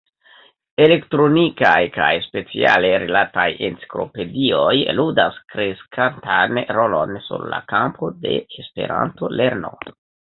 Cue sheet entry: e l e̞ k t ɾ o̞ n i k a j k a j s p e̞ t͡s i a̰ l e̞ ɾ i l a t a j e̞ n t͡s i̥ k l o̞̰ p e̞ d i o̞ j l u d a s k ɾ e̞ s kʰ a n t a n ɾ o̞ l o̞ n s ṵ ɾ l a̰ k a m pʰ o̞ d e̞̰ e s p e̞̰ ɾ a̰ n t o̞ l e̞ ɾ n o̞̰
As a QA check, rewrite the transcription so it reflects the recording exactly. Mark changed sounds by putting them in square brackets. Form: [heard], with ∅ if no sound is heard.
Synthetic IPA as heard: e l e̞ k t ɾ o̞ n i k a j k a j s p e̞ t͡s i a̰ l e̞ ɾ i l a t a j e̞ n t͡s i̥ k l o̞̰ p e̞ d i o̞ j l u d a s k ɾ e̞ s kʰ a n t a n ɾ o̞ l o̞ n s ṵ ɾ l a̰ k a m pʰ o̞ d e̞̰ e s p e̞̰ ɾ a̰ n t o̞ l e̞ ɾ n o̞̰